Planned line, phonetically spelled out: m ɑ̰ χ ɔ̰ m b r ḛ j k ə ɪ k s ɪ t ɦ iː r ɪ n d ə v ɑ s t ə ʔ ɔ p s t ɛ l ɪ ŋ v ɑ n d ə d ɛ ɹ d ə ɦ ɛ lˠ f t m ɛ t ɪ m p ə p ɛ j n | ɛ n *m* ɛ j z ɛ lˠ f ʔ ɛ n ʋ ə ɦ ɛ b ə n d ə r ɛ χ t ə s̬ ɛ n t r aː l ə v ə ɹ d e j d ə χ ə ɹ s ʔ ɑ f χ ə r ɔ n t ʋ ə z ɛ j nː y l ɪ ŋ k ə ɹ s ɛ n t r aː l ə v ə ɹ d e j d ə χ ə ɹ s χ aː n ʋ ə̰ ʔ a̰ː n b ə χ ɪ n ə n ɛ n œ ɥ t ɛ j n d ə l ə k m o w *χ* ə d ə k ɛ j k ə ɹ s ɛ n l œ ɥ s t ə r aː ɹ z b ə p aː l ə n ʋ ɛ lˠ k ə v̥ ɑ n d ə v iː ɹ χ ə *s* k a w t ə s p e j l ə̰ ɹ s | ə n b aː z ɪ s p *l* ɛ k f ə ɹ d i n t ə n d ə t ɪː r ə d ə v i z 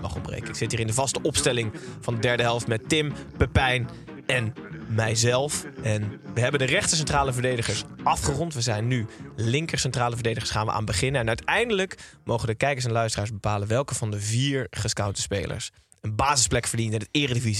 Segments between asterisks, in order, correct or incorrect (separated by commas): correct, correct, correct, correct